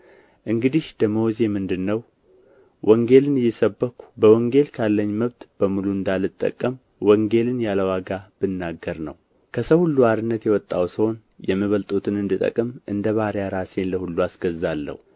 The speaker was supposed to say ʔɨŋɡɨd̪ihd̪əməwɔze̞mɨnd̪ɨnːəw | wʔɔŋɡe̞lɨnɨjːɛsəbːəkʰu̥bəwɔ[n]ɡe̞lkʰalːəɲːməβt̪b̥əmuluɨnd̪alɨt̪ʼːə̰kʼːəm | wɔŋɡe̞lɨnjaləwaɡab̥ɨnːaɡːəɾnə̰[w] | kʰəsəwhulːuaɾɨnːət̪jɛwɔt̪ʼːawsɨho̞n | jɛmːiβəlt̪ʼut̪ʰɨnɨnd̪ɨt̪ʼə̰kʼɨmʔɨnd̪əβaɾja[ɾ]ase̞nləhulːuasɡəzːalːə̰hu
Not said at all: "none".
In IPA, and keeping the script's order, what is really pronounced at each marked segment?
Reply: ŋ, w, ɾ

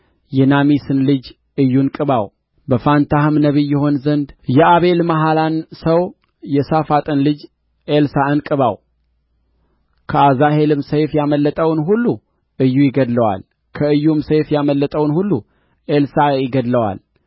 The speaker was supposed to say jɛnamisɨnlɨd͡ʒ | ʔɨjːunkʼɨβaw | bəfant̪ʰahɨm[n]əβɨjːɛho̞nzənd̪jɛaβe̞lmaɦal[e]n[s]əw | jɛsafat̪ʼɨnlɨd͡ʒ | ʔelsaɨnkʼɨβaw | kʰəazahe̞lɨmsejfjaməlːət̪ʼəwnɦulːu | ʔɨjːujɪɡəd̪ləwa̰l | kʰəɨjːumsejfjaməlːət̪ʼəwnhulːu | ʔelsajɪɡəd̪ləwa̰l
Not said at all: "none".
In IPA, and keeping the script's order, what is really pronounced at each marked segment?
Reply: n, a, s

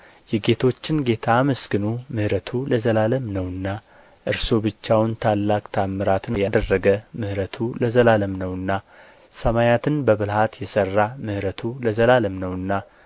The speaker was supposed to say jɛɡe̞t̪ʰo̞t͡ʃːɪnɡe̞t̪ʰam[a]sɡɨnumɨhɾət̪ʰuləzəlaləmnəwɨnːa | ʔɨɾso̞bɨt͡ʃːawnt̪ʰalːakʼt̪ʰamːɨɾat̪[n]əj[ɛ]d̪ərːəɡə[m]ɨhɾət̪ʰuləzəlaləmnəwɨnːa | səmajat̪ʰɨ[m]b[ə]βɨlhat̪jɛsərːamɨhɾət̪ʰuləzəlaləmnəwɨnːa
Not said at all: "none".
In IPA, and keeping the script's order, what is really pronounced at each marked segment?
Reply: ə, n, a, m, n, ə

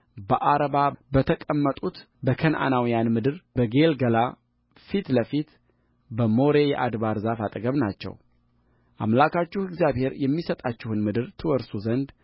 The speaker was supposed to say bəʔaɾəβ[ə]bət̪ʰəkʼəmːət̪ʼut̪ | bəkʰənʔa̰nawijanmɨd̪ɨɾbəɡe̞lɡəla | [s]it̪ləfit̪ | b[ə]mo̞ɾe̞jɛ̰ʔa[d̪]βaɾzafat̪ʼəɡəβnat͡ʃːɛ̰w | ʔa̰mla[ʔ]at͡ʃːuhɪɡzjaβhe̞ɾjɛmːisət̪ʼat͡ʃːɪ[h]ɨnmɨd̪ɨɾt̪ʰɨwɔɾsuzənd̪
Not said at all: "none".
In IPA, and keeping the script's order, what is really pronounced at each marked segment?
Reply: a, f, ə, d̪, k, h

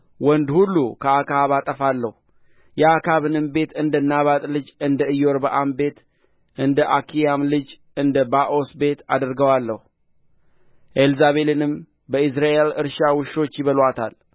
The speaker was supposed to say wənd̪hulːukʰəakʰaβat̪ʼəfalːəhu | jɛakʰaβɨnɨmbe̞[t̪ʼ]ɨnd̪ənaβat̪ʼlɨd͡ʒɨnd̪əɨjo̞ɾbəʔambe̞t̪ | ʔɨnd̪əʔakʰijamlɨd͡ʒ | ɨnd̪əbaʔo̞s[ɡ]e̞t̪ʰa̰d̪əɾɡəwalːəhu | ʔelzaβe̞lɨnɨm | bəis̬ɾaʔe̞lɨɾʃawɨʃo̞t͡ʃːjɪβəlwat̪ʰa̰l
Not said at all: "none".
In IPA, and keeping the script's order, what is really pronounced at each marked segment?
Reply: t̪, b

